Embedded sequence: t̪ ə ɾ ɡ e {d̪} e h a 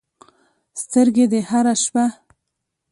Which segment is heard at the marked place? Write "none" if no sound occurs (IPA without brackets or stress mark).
d̪